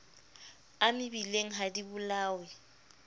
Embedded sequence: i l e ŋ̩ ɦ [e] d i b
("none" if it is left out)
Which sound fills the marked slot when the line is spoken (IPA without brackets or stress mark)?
a